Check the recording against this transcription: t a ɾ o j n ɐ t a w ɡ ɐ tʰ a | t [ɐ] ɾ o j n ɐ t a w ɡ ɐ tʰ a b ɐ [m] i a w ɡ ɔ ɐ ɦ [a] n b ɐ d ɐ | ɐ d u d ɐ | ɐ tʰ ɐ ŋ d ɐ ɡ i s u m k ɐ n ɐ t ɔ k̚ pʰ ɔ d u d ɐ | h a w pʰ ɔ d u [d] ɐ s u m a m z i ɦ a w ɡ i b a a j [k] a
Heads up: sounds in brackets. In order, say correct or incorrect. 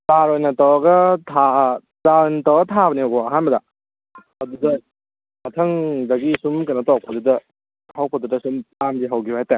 incorrect: a, incorrect: n, correct, correct, incorrect: t

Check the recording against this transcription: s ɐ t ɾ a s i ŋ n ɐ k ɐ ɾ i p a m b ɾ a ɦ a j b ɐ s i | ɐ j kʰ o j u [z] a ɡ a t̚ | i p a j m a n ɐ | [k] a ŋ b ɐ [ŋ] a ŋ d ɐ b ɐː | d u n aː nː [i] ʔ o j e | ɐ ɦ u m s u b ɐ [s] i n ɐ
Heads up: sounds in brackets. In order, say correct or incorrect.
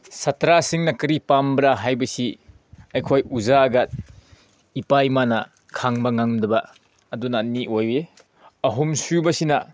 correct, incorrect: kʰ, correct, correct, correct

